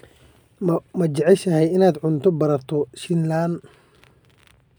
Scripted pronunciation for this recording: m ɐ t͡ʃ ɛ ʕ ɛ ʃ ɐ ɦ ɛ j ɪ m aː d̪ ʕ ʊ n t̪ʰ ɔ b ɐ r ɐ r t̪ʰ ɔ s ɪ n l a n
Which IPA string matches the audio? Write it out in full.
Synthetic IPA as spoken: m ɐ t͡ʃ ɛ ʕ ɛ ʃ ɐ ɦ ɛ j ɪ n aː d̪ ʕ ʊ n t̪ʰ ɔ b ɐ ɾ ɐ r t̪ʰ ɔ ʃ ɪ n l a n

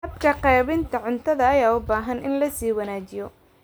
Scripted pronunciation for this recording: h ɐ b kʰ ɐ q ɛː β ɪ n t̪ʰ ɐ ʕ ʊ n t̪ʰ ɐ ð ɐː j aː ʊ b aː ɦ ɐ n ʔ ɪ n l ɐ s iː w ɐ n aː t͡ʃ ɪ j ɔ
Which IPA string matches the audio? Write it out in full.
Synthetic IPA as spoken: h ɐ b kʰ ɐ q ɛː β ɪ n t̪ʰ ɐ ʕ ʊ n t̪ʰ ɐ ð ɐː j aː ʊ b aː ɦ ɐ n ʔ ɪ n l ɐ s iː w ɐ n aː t͡ʃ ɪ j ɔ

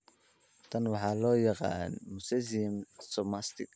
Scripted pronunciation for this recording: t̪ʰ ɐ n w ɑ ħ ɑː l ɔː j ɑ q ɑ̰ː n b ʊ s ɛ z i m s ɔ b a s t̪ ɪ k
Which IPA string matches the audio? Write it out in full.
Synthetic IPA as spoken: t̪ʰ ɐ n w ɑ ħ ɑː l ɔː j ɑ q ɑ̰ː n m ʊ s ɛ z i m s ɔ m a s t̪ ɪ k

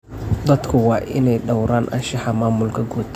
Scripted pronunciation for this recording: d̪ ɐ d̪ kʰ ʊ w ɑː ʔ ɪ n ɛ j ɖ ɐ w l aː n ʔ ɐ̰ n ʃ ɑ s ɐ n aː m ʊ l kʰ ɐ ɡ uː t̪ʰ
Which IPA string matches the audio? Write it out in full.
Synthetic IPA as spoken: d̪ ɐ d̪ kʰ ʊ w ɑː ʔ ɪ n ɛ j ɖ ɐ w ɾ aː n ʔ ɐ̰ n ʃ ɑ ħ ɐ m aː m ʊ l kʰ ɐ ɡ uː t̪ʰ

